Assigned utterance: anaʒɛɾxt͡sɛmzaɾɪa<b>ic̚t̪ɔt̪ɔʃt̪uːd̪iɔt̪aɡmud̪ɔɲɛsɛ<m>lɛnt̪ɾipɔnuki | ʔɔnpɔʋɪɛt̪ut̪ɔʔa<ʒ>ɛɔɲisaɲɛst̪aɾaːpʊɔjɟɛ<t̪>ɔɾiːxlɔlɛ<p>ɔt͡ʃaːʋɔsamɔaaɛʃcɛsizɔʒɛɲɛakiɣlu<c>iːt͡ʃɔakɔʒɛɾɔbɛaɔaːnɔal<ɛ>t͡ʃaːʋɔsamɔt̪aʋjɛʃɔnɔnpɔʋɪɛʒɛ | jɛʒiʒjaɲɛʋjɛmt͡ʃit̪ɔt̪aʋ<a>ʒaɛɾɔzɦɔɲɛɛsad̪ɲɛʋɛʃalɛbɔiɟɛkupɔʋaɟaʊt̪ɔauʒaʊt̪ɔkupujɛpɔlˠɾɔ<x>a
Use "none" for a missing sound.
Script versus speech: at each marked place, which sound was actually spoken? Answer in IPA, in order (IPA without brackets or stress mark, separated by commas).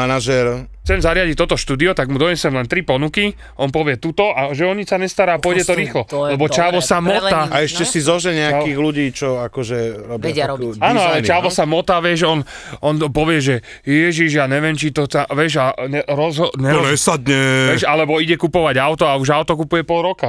ɟ, m, ʒ, t̪, b, ɟ, ɛ, ɛ, k